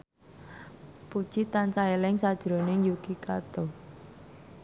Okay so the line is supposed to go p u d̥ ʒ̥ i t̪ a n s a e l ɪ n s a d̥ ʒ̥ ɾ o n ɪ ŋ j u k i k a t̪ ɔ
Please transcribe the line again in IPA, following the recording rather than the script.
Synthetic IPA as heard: p u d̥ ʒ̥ i t̪ a n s a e l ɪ ŋ s a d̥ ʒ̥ ɾ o n ɪ ŋ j u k i k a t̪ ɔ